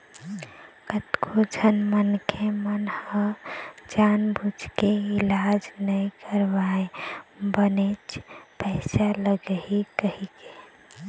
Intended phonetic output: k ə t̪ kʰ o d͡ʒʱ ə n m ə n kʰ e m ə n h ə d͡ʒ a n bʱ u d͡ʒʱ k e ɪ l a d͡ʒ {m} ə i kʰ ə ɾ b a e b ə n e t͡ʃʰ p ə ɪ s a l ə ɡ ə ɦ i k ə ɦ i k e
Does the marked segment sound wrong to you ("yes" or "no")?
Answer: yes